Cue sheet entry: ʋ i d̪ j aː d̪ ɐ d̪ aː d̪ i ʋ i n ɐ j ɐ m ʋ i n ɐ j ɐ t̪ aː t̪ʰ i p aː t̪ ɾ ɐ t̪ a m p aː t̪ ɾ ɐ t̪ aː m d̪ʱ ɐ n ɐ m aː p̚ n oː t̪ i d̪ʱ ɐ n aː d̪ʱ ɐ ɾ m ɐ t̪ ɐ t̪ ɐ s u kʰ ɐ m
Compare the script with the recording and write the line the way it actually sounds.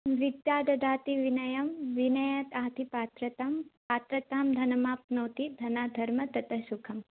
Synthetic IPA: ʋ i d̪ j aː d̪ ɐ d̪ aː t̪ i ʋ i n ɐ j ɐ m ʋ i n ɐ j ɐ t̪ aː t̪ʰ i p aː t̪ ɾ ɐ t̪ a m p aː t̪ ɾ ɐ t̪ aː m d̪ʱ ɐ n ɐ m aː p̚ n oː t̪ i d̪ʱ ɐ n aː d̪ʱ ɐ ɾ m ɐ t̪ ɐ t̪ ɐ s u kʰ ɐ m